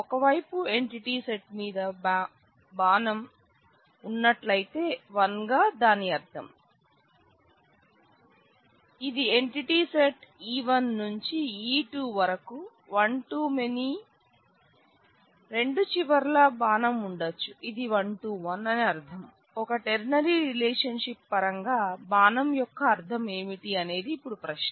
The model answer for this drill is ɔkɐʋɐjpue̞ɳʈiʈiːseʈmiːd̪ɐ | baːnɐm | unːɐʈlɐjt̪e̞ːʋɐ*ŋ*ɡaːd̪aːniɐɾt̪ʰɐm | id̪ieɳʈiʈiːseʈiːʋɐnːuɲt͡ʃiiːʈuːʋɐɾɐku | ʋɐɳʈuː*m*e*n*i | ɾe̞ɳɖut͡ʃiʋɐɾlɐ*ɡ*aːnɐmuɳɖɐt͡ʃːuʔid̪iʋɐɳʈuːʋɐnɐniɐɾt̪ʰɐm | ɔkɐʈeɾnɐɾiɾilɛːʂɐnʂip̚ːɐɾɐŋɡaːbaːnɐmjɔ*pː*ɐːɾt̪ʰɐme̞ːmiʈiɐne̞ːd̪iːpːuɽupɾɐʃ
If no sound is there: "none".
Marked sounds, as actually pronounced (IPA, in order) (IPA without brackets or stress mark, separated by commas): n, m, n, b, kː